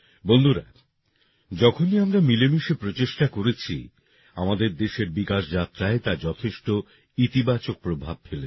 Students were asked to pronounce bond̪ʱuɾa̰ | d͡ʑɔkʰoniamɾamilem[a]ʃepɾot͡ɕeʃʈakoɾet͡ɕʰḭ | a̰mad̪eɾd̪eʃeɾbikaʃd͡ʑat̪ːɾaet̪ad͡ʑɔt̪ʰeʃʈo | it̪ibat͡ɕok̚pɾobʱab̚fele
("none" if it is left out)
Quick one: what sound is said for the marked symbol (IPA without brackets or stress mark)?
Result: i